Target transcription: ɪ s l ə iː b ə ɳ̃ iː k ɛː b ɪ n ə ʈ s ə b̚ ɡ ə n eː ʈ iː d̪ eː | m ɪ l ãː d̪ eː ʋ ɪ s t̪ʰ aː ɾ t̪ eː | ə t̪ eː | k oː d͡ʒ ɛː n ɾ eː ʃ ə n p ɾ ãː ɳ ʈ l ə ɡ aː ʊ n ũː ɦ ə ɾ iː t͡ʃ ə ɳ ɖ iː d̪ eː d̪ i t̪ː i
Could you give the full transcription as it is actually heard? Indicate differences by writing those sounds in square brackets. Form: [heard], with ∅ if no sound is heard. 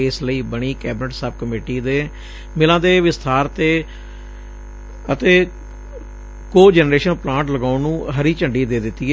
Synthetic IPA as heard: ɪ s l ə iː b ə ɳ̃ iː k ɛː b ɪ n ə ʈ s ə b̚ [k] ə [m] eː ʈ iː d̪ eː | m ɪ l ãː d̪ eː ʋ ɪ s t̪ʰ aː ɾ t̪ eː | ə t̪ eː | k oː d͡ʒ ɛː n ɾ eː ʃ ə n p [l] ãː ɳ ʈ l ə ɡ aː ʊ n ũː ɦ ə ɾ iː t͡ʃ ə ɳ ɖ iː d̪ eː d̪ [ɪ] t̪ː i